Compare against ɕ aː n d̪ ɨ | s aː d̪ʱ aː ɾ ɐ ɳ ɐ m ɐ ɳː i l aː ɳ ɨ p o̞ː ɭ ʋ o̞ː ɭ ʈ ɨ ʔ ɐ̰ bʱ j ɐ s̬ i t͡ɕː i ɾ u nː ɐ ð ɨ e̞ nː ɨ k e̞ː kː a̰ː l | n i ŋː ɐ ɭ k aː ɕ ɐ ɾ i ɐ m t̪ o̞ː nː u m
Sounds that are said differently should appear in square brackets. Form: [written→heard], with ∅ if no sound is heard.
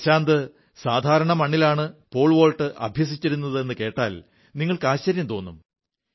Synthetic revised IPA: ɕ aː n d̪ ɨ | s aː d̪ʱ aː ɾ ɐ ɳ ɐ m ɐ ɳː i l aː ɳ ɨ p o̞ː ɭ ʋ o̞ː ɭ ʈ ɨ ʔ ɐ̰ bʱ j ɐ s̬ i t͡ɕː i ɾ u nː ɐ ð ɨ e̞ nː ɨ k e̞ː [kː→ʈː] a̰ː l | n i ŋː ɐ ɭ k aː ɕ ɐ ɾ [i→j] ɐ m t̪ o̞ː nː u m